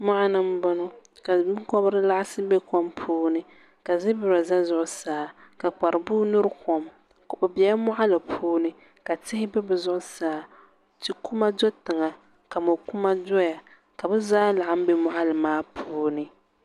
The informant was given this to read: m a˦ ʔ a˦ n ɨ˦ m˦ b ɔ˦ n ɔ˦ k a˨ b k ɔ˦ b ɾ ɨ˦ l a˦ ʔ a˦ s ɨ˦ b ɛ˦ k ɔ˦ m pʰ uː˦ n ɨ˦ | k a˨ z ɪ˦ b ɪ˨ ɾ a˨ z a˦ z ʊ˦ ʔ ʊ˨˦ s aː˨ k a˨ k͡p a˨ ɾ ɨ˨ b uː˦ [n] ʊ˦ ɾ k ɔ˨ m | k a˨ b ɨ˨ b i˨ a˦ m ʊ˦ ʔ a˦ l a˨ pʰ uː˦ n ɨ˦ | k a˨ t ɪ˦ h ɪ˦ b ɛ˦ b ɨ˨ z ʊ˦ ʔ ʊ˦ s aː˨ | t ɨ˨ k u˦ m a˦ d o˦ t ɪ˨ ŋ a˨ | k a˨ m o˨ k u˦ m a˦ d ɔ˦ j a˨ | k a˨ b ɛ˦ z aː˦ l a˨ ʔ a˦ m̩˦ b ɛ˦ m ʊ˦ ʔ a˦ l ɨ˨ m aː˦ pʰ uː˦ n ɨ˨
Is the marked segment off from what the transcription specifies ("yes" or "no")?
no